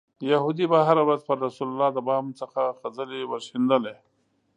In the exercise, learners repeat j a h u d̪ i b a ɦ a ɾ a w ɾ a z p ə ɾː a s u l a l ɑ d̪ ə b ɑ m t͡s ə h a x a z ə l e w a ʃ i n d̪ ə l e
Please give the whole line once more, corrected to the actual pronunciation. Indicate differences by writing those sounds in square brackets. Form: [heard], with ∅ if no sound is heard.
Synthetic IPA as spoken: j a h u d̪ i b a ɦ a ɾ a w ɾ a z p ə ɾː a s u l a l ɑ d̪ ə b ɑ m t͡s ə [x] a x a z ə l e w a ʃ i n d̪ ə l e